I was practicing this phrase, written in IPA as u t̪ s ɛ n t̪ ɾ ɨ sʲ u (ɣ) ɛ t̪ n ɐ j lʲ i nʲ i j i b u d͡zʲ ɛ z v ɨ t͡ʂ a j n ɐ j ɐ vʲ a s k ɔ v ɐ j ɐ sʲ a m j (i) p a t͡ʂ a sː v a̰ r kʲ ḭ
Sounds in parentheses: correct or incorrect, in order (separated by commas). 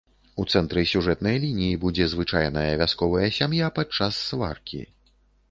incorrect, incorrect